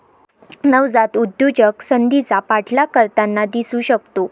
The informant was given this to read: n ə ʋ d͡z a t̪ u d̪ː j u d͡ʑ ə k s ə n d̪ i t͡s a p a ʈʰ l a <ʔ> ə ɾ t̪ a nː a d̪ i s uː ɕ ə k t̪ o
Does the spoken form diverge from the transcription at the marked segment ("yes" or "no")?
yes